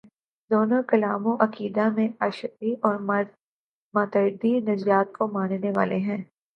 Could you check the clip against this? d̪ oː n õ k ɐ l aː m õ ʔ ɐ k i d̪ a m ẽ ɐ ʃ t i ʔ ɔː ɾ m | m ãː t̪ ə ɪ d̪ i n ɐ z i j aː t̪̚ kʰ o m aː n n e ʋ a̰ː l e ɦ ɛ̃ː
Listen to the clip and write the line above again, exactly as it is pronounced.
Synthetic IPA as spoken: d̪ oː n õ k ɐ l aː m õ ʔ ɐ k iː d̪ a m ẽ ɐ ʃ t i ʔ ɔː ɾ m | m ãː t̪ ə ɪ d̪ i n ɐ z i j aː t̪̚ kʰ o m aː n n e ʋ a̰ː l e ɦ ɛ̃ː